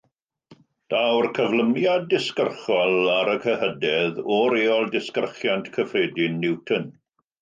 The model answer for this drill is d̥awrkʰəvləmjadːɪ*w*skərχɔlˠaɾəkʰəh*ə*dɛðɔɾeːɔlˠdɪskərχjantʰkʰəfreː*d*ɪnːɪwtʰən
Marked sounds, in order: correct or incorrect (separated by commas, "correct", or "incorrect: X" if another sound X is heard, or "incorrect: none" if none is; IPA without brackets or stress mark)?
incorrect: none, correct, correct